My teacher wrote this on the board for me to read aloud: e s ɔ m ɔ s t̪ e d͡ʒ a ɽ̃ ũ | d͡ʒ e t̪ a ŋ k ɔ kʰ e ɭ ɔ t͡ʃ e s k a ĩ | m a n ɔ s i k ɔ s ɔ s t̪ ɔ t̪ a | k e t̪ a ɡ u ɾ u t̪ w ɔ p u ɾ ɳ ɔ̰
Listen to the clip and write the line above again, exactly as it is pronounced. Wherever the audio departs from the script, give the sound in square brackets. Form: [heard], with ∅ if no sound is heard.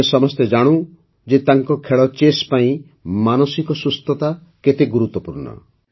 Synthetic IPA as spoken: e s ɔ m ɔ s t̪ e d͡ʒ a ɽ̃ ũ | d͡ʒ e t̪ a ŋ k ɔ kʰ e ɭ ɔ t͡ʃ e s [p] a ĩ | m a n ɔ s i k ɔ s [u] s t̪ ɔ t̪ a | k e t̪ [e] ɡ u ɾ u t̪ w ɔ p u ɾ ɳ ɔ̰